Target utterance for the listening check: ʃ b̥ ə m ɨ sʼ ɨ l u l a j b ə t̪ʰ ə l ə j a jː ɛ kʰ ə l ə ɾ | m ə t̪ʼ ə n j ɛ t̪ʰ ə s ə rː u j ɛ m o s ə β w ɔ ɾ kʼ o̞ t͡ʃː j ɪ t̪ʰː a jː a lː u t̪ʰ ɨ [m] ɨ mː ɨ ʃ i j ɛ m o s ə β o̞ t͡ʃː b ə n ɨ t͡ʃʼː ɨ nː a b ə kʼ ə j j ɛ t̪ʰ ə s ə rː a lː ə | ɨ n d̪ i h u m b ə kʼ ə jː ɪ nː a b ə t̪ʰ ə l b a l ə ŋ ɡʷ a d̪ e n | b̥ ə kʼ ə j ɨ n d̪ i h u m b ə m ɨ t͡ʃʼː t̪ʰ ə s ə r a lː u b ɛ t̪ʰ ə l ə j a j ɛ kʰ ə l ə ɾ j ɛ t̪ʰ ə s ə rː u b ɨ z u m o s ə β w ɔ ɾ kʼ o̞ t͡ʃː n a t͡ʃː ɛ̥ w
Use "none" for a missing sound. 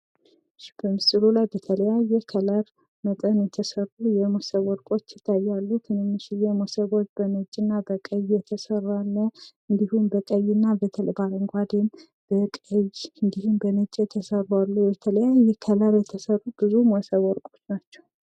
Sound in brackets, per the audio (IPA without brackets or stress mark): n